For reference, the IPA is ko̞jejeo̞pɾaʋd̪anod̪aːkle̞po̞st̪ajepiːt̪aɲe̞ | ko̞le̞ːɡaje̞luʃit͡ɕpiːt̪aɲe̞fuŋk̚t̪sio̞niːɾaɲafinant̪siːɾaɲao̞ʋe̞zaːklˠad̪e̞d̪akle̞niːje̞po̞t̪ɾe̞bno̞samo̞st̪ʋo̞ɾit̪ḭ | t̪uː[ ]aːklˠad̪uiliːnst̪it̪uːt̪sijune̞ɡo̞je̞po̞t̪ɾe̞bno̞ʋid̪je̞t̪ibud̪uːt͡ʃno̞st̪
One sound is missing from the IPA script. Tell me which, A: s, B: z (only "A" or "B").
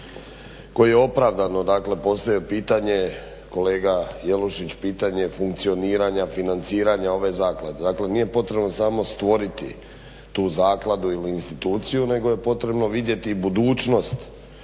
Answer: B